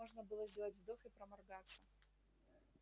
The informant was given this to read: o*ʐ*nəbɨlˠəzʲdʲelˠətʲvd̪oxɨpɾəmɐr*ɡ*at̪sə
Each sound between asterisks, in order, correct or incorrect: correct, correct

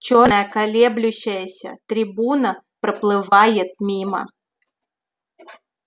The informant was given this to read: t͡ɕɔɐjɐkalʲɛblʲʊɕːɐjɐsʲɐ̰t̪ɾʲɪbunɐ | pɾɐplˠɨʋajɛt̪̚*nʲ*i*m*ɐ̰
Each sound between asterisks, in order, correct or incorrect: incorrect: mʲ, correct

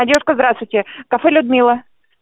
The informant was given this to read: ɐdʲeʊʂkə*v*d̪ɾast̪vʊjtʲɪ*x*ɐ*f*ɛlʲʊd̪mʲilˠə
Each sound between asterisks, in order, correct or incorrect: incorrect: z, incorrect: k, correct

